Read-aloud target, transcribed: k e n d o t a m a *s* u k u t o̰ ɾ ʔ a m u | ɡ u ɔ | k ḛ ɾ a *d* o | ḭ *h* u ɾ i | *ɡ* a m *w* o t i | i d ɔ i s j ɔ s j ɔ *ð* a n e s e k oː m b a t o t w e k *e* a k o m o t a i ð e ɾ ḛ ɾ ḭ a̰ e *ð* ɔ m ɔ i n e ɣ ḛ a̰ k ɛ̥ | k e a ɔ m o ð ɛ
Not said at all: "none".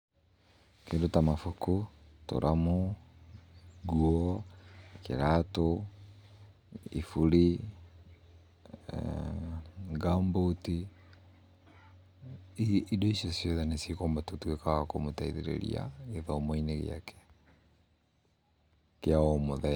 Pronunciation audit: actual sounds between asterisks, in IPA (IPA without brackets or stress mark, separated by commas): f, t, f, ɡ, b, ð, a, ð